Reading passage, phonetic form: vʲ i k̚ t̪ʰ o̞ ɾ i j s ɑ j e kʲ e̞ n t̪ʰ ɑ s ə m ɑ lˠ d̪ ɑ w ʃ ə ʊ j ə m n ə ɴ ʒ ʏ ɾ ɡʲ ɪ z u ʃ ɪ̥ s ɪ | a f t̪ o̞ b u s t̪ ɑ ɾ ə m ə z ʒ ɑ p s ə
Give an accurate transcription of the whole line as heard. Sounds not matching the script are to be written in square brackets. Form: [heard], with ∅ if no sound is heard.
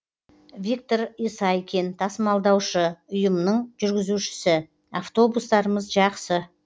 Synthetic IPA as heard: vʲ i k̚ [t̪] o̞ ɾ i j s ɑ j e kʲ e̞ n t̪ʰ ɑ s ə m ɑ lˠ d̪ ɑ w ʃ ə ʊ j ə m n ə ɴ ʒ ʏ ɾ ɡʲ ɪ z u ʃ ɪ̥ s ɪ | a f t̪ o̞ b u s t̪ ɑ ɾ ə m ə z ʒ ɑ [q] s ə

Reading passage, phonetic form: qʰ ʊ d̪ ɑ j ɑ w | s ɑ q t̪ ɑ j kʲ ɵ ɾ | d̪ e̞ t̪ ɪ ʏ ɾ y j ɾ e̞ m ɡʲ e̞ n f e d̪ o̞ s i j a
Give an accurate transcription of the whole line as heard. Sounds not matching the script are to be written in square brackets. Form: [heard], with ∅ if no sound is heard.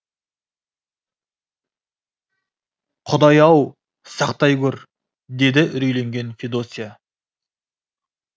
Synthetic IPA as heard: qʰ ʊ d̪ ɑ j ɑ w | s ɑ q t̪ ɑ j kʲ ɵ ɾ | d̪ e̞ [d̪] ɪ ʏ ɾ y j [l] e̞ [ŋ] ɡʲ e̞ n f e d̪ o̞ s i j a

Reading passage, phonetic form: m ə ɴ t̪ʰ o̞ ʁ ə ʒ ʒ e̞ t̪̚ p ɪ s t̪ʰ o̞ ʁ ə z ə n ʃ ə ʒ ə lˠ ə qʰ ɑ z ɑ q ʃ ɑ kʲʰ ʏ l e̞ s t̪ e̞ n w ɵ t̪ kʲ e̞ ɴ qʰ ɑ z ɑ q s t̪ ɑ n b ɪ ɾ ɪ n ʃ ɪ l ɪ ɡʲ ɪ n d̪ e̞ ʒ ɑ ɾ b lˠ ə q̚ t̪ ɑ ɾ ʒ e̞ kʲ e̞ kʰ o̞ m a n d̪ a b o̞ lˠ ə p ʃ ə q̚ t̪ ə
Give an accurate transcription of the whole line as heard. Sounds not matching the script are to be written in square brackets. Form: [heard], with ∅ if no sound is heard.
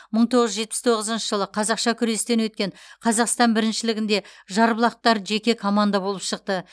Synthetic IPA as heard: m ə ɴ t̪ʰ o̞ ʁ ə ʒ ʒ e̞ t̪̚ p ɪ s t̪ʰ o̞ ʁ ə z ə n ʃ ə ʒ ə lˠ ə qʰ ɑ z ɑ q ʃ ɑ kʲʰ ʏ [ɾ] e̞ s t̪ e̞ n w ɵ t̪ kʲ e̞ ɴ qʰ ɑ z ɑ q s t̪ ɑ n b ɪ ɾ ɪ n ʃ ɪ l ɪ ɡʲ ɪ n d̪ e̞ ʒ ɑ ɾ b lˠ [ɑ] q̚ t̪ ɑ ɾ ʒ e̞ kʲ e̞ kʰ o̞ m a n d̪ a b o̞ lˠ ə p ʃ ə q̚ t̪ ə

